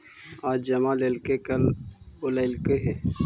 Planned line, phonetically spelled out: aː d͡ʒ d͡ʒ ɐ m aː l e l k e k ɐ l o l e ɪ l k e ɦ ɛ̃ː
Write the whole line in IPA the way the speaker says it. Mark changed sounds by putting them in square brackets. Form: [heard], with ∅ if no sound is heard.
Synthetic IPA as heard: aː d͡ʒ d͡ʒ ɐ m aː l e l k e k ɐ l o l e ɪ l k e ɦ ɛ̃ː